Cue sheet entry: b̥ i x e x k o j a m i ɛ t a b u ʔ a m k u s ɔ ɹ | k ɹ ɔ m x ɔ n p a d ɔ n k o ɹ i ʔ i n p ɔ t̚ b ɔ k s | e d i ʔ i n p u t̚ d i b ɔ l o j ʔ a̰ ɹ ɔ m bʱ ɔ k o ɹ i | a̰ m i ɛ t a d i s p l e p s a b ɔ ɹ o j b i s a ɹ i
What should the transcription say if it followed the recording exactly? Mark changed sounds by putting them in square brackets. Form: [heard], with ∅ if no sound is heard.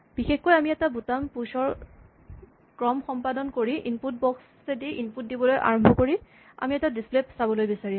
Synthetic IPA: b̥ i x e x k o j a m i ɛ t a b u [t] a m [p] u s ɔ ɹ | k ɹ ɔ m x ɔ [m] p a d ɔ n k o ɹ i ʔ i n p [u] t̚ b ɔ k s | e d i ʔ i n p u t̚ d i b ɔ l o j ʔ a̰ ɹ ɔ m bʱ ɔ k o ɹ i | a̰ m i ɛ t a d i s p l e p s a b ɔ [l] o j b i s a ɹ i